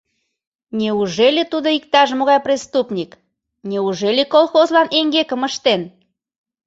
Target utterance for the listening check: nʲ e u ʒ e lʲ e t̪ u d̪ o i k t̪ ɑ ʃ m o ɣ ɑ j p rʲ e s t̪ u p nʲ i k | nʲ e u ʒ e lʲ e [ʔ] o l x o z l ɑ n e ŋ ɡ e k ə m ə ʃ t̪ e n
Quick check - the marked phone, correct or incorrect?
incorrect